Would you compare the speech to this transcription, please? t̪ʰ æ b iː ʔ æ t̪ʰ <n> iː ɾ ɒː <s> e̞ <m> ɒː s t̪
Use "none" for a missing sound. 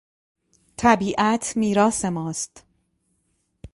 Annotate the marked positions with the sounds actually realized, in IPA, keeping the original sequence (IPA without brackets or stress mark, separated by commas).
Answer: m, s, m